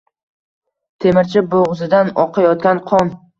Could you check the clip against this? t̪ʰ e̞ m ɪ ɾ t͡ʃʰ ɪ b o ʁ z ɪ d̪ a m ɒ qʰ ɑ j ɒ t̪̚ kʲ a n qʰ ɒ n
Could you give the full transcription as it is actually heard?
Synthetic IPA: t̪ʰ e̞ m ɪ ɾ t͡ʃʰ ɪ b o ʁ z ɪ d̪ a n ɒ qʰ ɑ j ɒ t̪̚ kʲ a n qʰ ɒ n

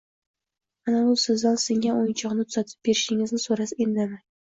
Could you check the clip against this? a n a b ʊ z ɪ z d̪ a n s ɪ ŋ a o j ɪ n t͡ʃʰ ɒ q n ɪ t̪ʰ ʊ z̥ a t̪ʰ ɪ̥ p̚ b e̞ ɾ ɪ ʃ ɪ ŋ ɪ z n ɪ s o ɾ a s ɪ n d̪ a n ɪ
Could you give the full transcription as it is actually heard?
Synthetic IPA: a n a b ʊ s ɪ z d̪ a n s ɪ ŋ a o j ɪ n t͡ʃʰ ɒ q n ɪ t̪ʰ ʊ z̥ a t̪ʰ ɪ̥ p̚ b e̞ ɾ ɪ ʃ ɪ ŋ ɪ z n ɪ s o ɾ a s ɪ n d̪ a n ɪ

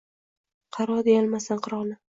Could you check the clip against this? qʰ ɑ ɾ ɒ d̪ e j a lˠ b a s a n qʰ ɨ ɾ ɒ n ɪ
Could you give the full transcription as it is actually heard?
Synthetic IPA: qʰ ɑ ɾ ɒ d̪ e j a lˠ m a s a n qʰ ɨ ɾ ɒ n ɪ

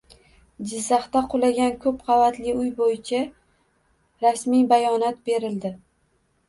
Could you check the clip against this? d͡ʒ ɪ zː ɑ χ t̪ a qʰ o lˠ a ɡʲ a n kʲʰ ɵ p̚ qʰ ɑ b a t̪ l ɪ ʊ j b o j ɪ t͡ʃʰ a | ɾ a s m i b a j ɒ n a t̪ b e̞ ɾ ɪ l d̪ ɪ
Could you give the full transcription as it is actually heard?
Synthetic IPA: d͡ʒ ɪ zː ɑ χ t̪ a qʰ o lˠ a ɡʲ a n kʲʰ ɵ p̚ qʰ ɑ v a t̪ l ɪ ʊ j b o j ɪ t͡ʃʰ a | ɾ a s m i b a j ɒ n a t̪ b e̞ ɾ ɪ l d̪ ɪ

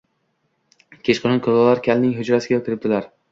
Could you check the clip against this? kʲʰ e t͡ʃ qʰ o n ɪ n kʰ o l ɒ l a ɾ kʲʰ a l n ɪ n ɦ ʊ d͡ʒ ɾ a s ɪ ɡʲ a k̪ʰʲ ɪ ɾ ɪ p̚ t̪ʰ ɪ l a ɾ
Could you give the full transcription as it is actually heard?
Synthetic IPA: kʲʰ e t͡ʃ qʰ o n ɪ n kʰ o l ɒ l a ɾ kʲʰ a l n ɪ ŋ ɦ ʊ d͡ʒ ɾ a s ɪ ɡʲ a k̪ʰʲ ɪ ɾ ɪ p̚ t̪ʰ ɪ l a ɾ

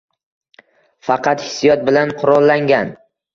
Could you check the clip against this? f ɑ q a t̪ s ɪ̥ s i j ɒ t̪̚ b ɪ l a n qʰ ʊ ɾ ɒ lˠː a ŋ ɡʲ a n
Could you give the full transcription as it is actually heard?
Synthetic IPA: f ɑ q ɑ t̪ h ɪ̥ s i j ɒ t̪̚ b ɪ l a n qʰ ʊ ɾ ɒ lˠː a ŋ ɡʲ a n

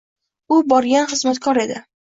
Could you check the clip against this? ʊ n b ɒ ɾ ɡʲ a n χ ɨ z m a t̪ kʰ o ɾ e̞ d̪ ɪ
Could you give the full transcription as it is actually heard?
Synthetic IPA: ʊ b ɒ ɾ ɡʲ a n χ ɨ z m a t̪ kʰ ɒ ɾ e̞ d̪ ɪ

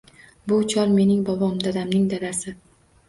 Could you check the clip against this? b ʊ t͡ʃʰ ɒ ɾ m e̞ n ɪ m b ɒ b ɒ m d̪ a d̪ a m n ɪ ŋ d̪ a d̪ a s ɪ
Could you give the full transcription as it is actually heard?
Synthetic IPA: b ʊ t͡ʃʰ ɒ ɾ m e̞ n ɪ ŋ b ɒ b ɒ m d̪ a d̪ a m n ɪ ŋ d̪ a d̪ a s ɪ

